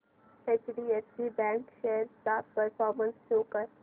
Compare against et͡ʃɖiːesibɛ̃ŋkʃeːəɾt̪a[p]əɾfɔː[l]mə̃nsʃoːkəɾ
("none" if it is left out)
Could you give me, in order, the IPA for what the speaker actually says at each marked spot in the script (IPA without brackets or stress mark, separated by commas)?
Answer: p, ɾ